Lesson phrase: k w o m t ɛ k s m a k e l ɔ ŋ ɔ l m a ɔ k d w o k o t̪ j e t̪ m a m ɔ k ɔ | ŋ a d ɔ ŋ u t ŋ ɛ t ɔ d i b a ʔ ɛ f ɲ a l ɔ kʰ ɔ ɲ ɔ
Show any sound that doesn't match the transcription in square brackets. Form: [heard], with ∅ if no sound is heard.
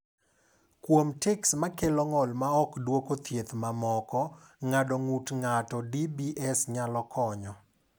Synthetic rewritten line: k w o m t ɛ k s m a k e l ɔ ŋ ɔ l m a ɔ k d w o k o t̪ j e t̪ m a m ɔ k ɔ | ŋ a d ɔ ŋ u t ŋ [a] t ɔ d i b [i] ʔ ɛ [s] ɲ a l ɔ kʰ ɔ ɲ ɔ